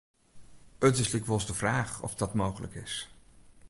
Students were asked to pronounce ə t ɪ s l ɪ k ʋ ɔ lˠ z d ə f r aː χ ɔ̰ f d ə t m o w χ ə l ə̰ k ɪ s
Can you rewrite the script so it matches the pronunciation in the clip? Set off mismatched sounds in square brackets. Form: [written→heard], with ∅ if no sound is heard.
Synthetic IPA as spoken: ə t ɪ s l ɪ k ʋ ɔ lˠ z d ə [f→v] r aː χ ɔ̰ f d [ə→ɑ] t m o w χ ə l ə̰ k ɪ s